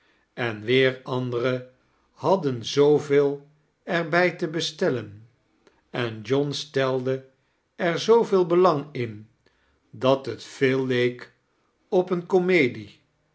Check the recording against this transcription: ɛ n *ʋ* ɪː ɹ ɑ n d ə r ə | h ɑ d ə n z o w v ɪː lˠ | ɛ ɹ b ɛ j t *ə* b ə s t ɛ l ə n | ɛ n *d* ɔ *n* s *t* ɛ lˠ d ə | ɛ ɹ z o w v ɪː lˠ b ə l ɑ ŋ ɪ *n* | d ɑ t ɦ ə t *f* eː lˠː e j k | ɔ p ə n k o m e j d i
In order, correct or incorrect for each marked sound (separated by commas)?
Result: correct, correct, incorrect, correct, correct, correct, correct